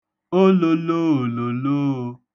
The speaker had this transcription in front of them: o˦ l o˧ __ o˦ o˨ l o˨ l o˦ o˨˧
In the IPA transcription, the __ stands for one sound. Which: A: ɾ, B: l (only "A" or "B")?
B